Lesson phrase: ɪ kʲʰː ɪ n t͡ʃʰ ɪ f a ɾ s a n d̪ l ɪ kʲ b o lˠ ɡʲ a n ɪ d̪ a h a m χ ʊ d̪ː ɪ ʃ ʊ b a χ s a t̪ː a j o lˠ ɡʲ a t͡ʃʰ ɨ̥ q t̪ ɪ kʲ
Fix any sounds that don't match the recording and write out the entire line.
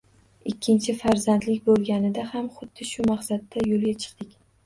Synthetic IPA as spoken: ɪ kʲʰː ɪ n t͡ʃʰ ɪ f a ɾ z a n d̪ l ɪ kʲ b o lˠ ɡʲ a n ɪ d̪ a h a m χ ʊ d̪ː ɪ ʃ ʊ m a χ s a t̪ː a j o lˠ ɡʲ a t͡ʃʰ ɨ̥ q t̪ ɪ kʲ